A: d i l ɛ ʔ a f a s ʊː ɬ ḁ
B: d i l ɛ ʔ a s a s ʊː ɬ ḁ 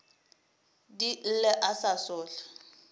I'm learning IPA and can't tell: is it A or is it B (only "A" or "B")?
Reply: B